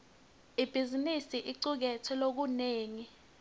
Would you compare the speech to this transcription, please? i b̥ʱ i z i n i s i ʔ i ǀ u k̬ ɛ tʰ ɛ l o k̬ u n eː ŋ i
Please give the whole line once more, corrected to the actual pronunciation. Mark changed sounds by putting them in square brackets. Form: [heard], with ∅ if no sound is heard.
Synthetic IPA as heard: i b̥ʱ i z i n i s i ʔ i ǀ u k̬ ɛ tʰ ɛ l o k̬ u n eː ŋ i